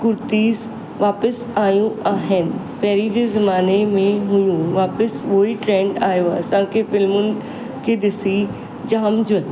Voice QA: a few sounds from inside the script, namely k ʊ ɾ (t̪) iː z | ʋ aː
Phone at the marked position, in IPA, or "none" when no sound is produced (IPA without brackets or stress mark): t̪